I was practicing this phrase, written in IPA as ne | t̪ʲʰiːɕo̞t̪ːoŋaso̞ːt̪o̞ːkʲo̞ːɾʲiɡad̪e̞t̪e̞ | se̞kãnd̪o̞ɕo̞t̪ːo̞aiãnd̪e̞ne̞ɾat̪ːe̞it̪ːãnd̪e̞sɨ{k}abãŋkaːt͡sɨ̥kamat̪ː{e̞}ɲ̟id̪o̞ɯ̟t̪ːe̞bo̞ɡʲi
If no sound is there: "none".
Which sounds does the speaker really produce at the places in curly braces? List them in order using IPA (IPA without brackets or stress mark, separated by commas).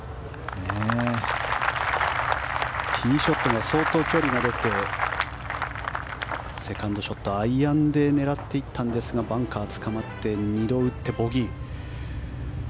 ɡ, e̞